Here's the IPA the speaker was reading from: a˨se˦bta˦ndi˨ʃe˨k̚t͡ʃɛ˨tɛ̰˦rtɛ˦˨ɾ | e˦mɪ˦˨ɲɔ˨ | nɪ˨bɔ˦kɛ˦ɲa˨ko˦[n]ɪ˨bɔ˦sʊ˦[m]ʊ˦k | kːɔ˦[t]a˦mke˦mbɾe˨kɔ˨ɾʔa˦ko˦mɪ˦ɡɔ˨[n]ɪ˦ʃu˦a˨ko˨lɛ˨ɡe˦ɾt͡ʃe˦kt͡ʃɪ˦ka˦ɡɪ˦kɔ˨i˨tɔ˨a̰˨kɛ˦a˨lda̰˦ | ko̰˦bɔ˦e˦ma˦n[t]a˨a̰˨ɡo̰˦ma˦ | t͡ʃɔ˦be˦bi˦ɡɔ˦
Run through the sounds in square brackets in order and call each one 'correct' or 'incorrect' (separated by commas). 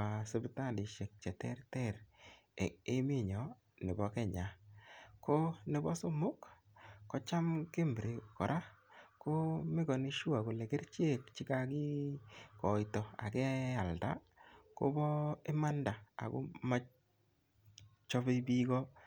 correct, correct, incorrect, correct, incorrect